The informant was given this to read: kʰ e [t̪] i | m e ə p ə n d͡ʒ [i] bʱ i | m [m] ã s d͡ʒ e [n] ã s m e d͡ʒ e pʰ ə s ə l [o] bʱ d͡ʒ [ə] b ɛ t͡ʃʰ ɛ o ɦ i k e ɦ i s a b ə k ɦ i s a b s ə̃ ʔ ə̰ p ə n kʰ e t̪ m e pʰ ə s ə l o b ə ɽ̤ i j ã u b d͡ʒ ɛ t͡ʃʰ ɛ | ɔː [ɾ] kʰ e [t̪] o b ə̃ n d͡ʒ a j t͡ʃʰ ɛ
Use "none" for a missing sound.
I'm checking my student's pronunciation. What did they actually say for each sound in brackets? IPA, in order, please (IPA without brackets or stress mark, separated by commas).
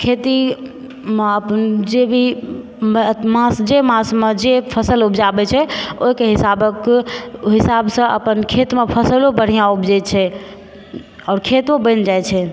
t̪, e, m, m, u, a, ɾ, t̪